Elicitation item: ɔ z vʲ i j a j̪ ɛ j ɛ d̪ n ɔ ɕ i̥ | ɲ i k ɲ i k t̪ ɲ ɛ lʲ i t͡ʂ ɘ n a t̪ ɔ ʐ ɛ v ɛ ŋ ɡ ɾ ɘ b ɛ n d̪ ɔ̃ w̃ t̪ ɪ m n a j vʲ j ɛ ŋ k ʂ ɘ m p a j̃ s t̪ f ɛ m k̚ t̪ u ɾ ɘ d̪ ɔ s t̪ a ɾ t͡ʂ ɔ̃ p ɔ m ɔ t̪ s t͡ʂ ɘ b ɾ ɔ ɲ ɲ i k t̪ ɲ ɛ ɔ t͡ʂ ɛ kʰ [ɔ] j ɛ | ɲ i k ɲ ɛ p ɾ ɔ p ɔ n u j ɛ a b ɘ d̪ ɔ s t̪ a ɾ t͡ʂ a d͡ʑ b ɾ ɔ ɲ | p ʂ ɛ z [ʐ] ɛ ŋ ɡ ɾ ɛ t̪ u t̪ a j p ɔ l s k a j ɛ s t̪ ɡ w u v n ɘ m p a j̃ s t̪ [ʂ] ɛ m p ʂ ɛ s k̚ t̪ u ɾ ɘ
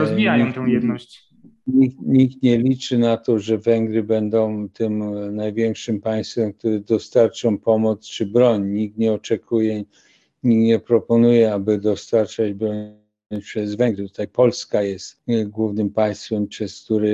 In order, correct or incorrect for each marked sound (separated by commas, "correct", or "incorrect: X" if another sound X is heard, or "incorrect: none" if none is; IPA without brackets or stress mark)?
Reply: incorrect: u, incorrect: v, incorrect: f